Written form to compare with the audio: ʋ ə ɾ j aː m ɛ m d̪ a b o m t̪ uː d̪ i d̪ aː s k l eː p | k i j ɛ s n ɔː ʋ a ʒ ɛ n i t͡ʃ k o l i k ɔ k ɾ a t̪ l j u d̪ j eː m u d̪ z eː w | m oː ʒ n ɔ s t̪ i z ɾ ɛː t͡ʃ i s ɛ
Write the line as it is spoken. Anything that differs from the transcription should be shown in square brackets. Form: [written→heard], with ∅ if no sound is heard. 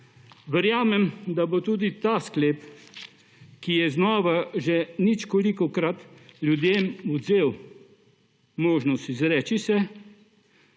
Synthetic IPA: ʋ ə ɾ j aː m ɛ m d̪ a b o [m→∅] t̪ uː d̪ i [d̪→t̪] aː s k l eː p | k i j ɛ [s→z] n ɔː ʋ a ʒ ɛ n i t͡ʃ k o l i k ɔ k ɾ a t̪ l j u d̪ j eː m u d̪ z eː w | m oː ʒ n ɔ s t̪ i z ɾ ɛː t͡ʃ i s ɛ